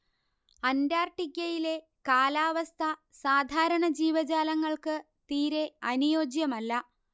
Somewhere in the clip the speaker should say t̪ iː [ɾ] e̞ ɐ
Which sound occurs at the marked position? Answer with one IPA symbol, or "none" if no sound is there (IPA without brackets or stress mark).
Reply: ɾ